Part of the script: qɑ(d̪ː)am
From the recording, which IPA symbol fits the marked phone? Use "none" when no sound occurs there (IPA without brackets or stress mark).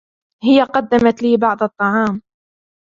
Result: d̪ː